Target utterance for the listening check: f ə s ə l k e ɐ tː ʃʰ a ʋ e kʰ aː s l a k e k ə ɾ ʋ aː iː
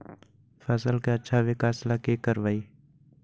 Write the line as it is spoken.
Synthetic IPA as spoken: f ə s ə l k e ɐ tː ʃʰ a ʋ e k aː s l a k e k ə ɾ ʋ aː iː